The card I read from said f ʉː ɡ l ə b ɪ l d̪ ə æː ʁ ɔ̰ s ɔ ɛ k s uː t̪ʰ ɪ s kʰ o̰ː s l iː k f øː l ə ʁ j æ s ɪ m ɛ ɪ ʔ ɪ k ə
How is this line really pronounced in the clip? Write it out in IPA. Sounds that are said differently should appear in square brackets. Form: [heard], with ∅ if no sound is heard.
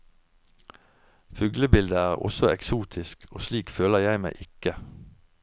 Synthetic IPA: f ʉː ɡ l ə b ɪ l d̪ ə æː ʁ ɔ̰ s ɔ ɛ k s uː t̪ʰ ɪ s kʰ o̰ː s l iː k f øː l ə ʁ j æ [∅] ɪ m [æ] ɪ ʔ ɪ k ə